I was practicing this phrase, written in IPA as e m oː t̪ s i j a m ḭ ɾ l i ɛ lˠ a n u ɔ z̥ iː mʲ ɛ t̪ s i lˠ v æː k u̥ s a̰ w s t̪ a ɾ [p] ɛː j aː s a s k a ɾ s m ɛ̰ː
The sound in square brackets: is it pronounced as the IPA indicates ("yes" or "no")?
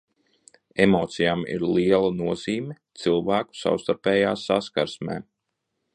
yes